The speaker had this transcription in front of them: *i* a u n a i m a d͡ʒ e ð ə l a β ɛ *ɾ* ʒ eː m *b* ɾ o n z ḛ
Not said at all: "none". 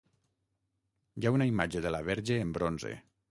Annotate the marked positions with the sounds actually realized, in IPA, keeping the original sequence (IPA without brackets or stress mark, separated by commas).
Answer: j, ɾ, b